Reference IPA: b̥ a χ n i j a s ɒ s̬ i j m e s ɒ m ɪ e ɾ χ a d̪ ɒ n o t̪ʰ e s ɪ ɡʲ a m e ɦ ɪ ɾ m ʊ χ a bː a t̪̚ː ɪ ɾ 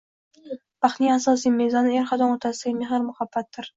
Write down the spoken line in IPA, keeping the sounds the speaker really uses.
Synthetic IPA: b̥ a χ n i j a s ɒ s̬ i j m e z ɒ n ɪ e ɾ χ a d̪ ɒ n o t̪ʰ a s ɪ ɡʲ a m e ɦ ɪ ɾ m ʊ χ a bː a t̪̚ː ɪ ɾ